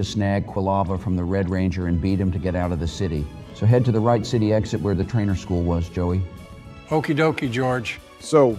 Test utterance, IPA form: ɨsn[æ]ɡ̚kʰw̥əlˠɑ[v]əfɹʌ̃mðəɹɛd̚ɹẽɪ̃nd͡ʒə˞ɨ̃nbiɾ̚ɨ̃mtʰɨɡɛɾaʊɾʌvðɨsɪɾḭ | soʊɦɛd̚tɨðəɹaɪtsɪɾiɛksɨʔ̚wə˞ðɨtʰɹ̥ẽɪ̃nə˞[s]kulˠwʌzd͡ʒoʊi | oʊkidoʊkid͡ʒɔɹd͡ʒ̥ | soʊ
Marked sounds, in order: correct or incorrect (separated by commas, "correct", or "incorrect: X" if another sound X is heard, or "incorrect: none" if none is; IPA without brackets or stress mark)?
correct, correct, correct